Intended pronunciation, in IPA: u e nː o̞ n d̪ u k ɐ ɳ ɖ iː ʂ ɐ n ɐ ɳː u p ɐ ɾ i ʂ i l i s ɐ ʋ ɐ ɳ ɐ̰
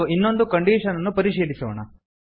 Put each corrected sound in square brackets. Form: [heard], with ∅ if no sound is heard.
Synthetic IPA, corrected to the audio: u [i] nː o̞ n d̪ u k ɐ ɳ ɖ iː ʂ ɐ n ɐ [nː] u p ɐ ɾ i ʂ [iː] l i s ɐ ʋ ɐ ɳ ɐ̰